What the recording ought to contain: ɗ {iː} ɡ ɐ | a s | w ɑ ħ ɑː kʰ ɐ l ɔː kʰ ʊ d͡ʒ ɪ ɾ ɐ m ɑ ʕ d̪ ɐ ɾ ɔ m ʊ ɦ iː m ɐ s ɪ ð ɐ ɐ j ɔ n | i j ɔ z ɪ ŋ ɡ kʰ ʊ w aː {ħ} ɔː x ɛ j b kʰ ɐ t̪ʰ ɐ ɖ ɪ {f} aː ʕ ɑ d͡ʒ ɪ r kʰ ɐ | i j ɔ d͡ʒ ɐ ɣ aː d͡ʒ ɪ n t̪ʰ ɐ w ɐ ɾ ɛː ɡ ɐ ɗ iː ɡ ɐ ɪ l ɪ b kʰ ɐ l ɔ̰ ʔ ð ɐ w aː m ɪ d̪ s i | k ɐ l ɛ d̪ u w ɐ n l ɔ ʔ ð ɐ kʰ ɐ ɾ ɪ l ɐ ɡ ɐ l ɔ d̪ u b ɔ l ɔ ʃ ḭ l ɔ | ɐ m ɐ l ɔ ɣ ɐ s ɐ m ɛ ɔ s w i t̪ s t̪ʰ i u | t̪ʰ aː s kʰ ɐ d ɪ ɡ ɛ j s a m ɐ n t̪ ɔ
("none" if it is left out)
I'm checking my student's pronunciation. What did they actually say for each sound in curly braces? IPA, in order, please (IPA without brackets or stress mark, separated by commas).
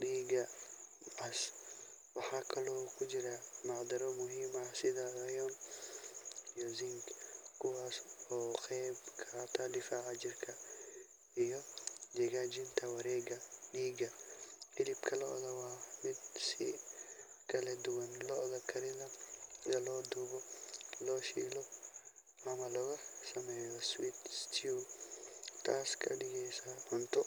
iː, s, f